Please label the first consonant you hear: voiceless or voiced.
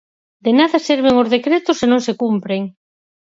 voiced